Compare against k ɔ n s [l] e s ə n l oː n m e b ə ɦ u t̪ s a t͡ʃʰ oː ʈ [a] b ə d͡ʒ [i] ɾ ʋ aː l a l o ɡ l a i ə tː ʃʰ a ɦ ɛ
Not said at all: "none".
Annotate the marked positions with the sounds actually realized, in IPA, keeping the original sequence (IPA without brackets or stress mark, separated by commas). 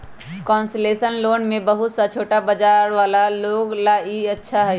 l, a, a